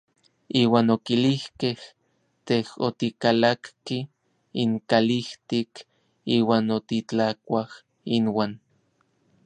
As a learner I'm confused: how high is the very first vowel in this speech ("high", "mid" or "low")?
high